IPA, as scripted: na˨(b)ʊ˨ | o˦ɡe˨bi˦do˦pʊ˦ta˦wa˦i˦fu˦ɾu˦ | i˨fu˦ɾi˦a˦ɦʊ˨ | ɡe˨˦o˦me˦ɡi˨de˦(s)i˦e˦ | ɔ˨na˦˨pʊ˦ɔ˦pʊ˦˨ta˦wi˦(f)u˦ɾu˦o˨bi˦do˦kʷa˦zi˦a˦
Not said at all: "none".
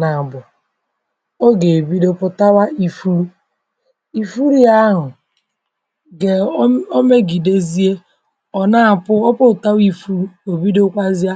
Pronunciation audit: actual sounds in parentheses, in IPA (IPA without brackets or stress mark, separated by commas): b, z, f